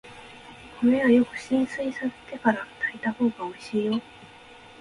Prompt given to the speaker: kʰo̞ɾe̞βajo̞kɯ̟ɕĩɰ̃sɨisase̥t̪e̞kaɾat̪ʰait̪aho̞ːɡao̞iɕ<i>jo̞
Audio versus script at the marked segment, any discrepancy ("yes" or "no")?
yes